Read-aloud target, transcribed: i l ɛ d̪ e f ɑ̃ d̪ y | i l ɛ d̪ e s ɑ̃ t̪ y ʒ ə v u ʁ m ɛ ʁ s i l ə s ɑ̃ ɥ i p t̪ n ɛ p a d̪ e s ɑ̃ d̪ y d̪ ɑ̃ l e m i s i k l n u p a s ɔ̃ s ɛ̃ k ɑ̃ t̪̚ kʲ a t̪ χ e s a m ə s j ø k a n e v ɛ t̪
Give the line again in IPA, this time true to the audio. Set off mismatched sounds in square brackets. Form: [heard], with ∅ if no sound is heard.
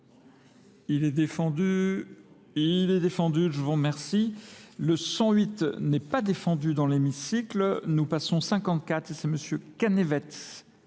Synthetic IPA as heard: i l ɛ d̪ e f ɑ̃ d̪ y | i l ɛ d̪ e [f] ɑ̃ [d̪] y ʒ ə v u ʁ m ɛ ʁ s i l ə s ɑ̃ ɥ i [∅] t̪ n ɛ p a d̪ e [f] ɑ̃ d̪ y d̪ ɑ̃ l e m i s i k l n u p a s ɔ̃ s ɛ̃ k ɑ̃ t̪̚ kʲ a t̪ χ e s [ɛ] m ə s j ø k a n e v ɛ t̪

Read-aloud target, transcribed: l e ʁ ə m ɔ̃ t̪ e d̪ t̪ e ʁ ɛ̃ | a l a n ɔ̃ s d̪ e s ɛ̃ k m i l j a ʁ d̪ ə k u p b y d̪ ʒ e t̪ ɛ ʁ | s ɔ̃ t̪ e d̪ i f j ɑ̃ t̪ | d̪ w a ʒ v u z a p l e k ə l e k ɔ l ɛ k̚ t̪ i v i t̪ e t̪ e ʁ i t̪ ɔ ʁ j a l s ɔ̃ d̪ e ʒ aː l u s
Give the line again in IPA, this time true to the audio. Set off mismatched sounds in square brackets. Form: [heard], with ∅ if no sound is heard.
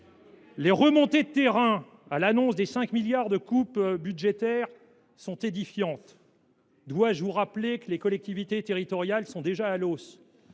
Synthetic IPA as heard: l e ʁ ə m ɔ̃ t̪ e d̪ t̪ e ʁ ɛ̃ | a l a n ɔ̃ s d̪ e s ɛ̃ k m i l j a ʁ d̪ ə k u p b y d̪ ʒ e t̪ ɛ ʁ | s ɔ̃ t̪ e d̪ i f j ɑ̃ t̪ | d̪ w a ʒ v u [ʁ] a p l e k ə l e k ɔ l ɛ k̚ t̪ i v i t̪ e t̪ e ʁ i t̪ ɔ ʁ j a l s ɔ̃ d̪ e ʒ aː l [o] s

